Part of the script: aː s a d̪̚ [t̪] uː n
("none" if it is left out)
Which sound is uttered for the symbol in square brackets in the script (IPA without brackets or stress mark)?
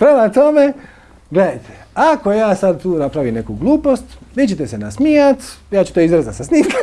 t̪